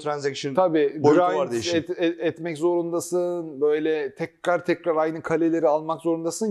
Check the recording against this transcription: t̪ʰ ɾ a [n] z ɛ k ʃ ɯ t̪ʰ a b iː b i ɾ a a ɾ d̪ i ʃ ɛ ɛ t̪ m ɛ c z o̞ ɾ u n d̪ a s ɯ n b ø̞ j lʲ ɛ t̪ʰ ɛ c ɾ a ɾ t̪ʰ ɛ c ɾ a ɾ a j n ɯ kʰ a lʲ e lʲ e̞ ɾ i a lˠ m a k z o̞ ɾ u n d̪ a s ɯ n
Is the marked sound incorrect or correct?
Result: correct